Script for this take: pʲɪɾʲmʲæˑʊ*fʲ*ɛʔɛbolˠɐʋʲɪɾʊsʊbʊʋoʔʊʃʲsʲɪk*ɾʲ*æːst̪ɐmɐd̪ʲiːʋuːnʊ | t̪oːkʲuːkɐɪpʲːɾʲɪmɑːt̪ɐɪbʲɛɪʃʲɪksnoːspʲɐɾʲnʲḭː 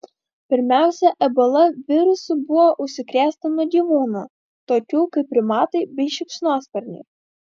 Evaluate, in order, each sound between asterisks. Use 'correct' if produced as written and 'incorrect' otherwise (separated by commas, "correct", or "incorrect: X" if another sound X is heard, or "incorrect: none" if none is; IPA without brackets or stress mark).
incorrect: sʲ, correct